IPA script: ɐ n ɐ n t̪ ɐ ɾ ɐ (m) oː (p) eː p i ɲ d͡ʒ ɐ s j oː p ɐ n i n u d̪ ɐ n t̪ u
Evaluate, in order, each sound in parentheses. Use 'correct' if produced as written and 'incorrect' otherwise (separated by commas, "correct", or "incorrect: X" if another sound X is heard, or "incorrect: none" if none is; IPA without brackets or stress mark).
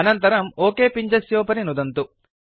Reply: correct, incorrect: k